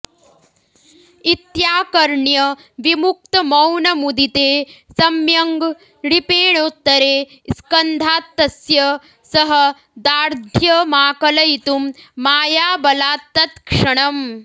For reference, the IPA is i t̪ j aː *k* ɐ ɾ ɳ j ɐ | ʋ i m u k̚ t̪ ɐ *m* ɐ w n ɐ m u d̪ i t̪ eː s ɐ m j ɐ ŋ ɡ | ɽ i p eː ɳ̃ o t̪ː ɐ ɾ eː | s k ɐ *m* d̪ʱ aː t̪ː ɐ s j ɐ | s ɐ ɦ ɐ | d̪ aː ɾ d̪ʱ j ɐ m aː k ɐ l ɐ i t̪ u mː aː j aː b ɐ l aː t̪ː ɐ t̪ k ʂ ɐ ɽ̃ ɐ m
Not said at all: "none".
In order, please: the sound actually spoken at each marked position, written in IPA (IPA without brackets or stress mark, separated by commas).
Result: k, m, n